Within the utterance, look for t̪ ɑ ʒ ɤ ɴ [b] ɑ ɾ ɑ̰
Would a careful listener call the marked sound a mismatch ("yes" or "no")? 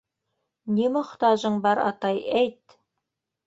no